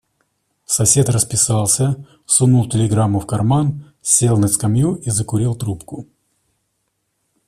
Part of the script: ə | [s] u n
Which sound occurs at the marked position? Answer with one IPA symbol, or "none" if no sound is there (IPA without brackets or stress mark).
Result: s